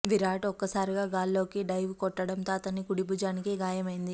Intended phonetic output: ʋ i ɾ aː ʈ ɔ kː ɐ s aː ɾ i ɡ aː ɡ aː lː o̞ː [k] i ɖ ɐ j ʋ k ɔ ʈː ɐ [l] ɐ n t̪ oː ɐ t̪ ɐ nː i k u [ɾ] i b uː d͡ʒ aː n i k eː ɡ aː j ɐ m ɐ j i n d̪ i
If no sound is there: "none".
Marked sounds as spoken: k, ɽ, ɽ

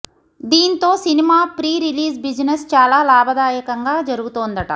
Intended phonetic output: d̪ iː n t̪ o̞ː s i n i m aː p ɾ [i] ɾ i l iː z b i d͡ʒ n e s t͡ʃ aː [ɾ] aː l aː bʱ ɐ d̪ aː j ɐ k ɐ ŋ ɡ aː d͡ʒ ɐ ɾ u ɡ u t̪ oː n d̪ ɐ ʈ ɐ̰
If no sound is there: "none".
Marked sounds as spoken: iː, l

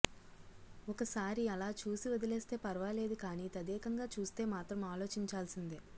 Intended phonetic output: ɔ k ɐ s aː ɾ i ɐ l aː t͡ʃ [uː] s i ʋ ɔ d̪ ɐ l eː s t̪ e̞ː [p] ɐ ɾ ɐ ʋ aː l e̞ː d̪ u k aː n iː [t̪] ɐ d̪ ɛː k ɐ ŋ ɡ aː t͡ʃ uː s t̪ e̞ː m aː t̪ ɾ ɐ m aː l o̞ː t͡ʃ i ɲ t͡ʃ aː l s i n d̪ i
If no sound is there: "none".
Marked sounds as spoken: uː, p, t̪

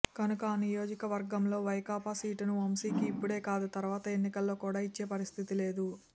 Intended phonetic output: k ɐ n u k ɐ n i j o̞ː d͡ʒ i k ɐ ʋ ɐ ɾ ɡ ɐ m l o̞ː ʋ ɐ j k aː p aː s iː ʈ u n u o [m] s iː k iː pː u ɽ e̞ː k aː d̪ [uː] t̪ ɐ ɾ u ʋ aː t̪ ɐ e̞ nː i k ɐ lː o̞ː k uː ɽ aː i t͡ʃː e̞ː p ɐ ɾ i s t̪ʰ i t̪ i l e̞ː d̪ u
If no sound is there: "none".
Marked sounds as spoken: m, u

